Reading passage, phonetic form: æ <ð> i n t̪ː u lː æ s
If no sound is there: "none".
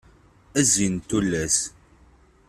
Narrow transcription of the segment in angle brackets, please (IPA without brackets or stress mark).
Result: z